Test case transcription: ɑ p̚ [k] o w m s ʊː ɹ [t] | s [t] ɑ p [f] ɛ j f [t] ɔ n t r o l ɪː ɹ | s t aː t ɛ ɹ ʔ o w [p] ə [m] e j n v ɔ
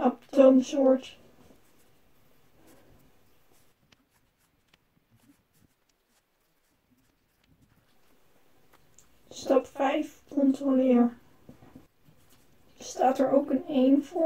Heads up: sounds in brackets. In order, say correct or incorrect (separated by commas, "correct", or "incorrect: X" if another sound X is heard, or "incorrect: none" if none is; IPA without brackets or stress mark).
incorrect: t, correct, correct, correct, incorrect: k, incorrect: k, incorrect: n